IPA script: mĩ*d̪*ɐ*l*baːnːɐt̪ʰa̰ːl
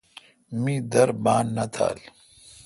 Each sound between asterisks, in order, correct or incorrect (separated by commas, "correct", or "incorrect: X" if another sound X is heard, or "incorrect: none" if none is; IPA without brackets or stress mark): correct, incorrect: ɾ